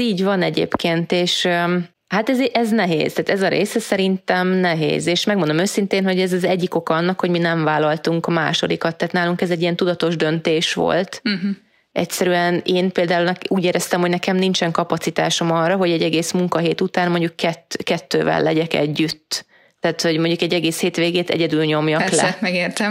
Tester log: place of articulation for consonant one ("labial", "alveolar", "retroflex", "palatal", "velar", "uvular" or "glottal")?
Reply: palatal